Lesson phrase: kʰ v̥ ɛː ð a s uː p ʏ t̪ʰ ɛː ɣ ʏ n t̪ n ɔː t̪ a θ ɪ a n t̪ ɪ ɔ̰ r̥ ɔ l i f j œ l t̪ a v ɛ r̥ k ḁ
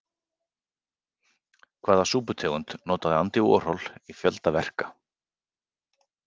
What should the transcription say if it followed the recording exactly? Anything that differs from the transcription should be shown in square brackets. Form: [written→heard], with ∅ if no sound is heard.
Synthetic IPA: kʰ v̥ [ɛː→aː] ð a s uː p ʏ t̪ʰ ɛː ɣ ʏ n t̪ n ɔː t̪ a [θ→ð] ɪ a n t̪ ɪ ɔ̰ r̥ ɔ l i f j œ l t̪ a v ɛ r̥ k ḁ